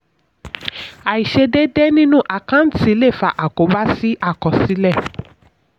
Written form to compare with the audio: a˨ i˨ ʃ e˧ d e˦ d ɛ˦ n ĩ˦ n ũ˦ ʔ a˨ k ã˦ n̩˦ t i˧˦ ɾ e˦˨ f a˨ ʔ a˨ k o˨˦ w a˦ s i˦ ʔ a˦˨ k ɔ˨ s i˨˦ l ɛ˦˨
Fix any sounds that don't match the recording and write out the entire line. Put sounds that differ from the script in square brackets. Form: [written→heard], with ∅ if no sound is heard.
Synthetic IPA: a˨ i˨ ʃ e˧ d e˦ d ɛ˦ n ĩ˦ n ũ˦ ʔ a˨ k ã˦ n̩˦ t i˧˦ [ɾ→l] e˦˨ f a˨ ʔ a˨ k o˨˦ [w→b] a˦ s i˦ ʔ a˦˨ k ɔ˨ s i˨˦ l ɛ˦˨